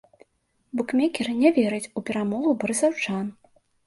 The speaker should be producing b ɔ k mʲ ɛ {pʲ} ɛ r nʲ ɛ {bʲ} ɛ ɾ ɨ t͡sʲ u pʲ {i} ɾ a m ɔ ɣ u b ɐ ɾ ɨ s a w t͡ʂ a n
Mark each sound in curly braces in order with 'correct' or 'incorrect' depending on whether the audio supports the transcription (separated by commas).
incorrect, incorrect, incorrect